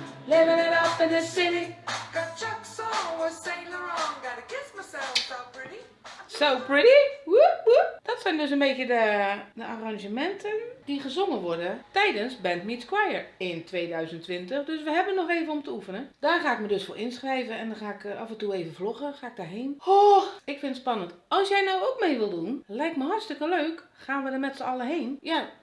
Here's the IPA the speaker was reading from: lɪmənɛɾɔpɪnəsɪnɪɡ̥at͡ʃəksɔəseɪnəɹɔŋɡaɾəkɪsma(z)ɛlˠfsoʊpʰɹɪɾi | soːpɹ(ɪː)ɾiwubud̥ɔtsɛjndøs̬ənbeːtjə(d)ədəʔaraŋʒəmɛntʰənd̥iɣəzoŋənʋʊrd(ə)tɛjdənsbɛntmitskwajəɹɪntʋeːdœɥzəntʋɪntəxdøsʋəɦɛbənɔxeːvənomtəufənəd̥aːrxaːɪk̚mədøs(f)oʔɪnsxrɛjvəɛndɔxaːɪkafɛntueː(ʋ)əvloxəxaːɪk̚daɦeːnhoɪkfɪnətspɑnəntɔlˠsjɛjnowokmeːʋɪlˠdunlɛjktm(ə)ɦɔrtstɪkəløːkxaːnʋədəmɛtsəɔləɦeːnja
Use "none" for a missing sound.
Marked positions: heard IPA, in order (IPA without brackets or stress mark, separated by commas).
s, ɪ, d, ə, f, v, ə